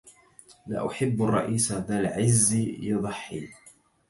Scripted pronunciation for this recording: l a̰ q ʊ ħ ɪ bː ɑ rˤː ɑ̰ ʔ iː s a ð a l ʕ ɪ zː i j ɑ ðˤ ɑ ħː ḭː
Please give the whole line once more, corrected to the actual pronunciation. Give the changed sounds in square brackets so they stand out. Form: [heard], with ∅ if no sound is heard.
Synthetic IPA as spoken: l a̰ [ʔ] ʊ ħ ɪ bː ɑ rˤː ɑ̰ ʔ iː s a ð a l ʕ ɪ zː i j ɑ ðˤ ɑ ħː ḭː